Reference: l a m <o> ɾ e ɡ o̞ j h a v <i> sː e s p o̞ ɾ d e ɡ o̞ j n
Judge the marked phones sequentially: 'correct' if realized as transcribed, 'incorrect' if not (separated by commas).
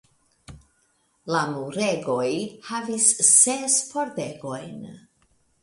incorrect, correct